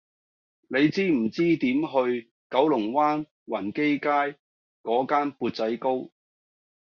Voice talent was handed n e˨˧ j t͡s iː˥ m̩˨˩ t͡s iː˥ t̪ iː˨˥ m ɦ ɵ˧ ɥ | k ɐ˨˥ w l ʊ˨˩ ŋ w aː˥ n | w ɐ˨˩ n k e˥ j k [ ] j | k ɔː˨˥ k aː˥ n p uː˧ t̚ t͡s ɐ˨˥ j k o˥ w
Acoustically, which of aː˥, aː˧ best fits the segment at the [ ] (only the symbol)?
aː˥